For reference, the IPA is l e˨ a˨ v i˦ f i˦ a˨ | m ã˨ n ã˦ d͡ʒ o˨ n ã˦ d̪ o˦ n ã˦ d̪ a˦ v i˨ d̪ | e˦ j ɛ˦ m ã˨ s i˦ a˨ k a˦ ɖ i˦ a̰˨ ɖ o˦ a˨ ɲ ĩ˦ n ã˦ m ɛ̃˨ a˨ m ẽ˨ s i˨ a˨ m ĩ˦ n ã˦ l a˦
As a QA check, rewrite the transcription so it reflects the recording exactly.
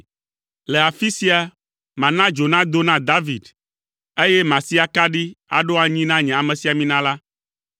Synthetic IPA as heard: l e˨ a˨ f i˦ s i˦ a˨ | m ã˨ n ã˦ d͡ʒ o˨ n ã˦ d̪ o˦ n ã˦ d̪ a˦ v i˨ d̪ | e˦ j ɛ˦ m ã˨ s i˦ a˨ k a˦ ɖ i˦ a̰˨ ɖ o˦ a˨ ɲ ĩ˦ n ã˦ ɲ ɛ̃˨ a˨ m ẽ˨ s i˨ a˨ m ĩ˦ n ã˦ l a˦